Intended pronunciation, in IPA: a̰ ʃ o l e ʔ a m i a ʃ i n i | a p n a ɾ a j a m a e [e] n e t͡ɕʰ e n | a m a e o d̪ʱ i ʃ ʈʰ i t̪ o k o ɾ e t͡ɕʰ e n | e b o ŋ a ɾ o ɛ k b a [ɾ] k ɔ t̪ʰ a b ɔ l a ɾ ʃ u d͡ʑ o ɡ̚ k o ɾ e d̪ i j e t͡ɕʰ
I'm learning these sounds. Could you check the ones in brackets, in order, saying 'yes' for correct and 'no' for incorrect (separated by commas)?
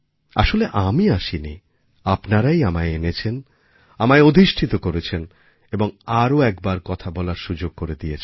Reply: yes, yes